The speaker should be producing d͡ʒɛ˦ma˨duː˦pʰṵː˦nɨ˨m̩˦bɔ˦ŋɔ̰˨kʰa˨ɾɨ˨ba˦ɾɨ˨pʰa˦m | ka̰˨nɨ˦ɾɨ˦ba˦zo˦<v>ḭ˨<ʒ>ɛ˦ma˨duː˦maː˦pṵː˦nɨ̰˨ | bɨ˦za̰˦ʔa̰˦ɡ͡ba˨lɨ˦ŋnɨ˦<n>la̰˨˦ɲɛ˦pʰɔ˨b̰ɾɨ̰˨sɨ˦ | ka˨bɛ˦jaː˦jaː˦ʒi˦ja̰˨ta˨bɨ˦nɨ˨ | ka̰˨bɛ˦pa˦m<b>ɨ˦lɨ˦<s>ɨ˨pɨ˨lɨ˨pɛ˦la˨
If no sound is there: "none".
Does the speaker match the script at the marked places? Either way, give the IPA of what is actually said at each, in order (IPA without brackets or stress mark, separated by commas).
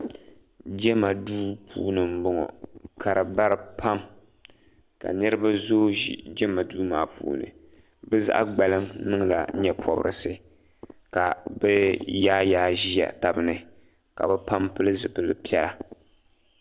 ʒ, d͡ʒ, ŋ, p, z